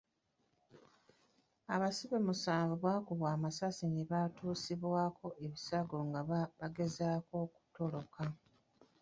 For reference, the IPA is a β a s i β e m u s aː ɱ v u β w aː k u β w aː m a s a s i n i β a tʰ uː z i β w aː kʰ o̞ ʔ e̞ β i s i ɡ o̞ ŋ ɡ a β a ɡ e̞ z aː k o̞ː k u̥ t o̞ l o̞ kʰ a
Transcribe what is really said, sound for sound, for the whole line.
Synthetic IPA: a β a s i β e m u s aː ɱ v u β w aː k u β w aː m a s a s i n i β a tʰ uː s i β w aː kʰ o̞ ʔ e̞ β i s a ɡ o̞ ŋ ɡ a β a ɡ e̞ z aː k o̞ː k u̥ t o̞ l o̞ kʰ a

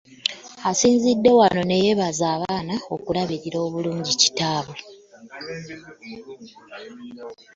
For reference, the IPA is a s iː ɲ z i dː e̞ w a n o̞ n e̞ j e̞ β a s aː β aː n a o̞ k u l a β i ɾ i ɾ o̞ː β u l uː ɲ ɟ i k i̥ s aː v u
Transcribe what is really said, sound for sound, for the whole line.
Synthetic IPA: a s iː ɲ z i dː e̞ w a n o̞ n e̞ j e̞ β a z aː β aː n a o̞ k u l a β i ɾ i ɾ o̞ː β u l uː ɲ ɟ i c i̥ t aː β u

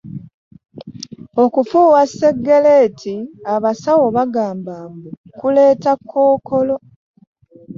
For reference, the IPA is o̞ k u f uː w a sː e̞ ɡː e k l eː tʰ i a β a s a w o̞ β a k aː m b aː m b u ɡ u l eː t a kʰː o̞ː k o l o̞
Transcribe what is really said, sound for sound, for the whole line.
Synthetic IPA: o̞ k u f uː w a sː e̞ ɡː e l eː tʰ i a β a s a w o̞ β a ɡ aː m b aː m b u k u l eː t a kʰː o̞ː k o l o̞

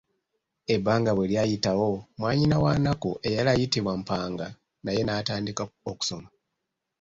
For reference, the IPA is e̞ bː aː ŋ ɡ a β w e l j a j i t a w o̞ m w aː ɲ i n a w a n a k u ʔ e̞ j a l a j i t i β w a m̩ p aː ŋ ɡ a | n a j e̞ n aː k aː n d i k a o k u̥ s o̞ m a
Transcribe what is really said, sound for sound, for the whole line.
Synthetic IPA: e̞ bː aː ŋ ɡ a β w e l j a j i t a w o̞ m w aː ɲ i n a w a n a k u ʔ e̞ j a l a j i t i β w a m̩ p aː ŋ ɡ a | n a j e̞ n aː t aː n d i k a o k u̥ s o̞ m a

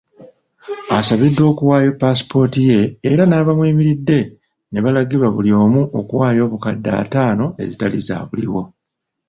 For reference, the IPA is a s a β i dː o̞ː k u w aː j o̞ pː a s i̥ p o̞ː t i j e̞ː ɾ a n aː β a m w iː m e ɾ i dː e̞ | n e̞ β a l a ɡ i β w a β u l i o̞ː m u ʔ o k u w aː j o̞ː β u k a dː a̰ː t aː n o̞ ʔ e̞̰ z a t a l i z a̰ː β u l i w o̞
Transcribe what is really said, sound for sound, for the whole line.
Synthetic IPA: a s a β i dː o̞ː k u w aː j o̞ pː a s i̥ p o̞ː t i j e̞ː ɾ a n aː β a m w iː m i ɾ i dː e̞ | n e̞ β a l a ɡ i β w a β u l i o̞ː m u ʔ o k u w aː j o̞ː β u k a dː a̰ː t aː n o̞ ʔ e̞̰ z i t a l i z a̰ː β u l i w o̞

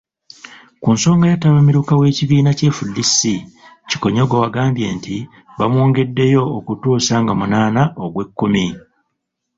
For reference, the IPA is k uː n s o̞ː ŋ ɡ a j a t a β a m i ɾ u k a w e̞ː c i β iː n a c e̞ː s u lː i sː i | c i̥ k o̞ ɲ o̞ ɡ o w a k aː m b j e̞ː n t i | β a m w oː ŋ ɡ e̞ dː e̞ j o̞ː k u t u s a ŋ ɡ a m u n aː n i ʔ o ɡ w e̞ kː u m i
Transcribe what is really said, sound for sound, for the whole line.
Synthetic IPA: k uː n s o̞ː ŋ ɡ a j a t a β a m i ɾ u k a w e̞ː c i β iː n a c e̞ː f u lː i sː i | c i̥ k o̞ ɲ o̞ ɡ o w a ɡ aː m b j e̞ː n t i | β a m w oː ŋ ɡ e̞ dː e̞ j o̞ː k u t uː s a ŋ ɡ a m u n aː n a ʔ o ɡ w e̞ kː u m i

